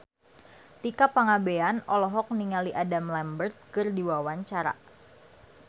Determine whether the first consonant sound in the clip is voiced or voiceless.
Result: voiceless